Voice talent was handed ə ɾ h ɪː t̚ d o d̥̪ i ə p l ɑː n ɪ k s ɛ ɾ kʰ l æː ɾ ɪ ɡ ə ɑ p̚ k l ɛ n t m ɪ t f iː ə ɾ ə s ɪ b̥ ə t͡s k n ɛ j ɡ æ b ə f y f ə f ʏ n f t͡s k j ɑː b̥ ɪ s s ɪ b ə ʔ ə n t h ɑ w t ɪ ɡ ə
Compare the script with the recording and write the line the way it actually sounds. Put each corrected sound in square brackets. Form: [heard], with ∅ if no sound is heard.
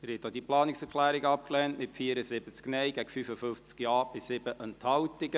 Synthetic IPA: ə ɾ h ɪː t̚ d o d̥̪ i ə p l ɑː n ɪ k s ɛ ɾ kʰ l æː ɾ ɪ ɡ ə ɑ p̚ k l ɛ n t m ɪ t f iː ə ɾ ə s ɪ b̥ ə t͡s k n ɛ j ɡ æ [ɡ] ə f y f ə f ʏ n f t͡s k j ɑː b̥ ɪ s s ɪ b ə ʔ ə n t h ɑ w t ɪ ɡ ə